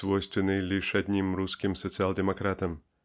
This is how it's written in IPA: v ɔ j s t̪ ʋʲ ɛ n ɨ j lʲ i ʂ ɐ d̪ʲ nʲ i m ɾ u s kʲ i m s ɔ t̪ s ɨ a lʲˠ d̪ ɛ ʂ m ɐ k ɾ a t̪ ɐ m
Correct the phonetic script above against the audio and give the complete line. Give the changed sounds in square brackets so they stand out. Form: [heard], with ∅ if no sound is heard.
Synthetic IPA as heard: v ɔ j s t̪ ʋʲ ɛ n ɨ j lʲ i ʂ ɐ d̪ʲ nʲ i m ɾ u s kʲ i m s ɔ t̪ s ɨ a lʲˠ d̪ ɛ [∅] m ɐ k ɾ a t̪ ɐ m